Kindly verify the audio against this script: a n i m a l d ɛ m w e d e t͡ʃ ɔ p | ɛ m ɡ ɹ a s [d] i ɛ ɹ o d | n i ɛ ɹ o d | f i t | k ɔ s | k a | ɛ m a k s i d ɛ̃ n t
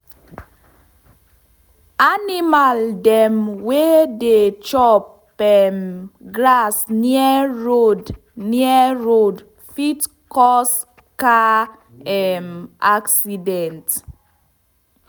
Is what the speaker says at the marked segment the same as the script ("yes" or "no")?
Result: no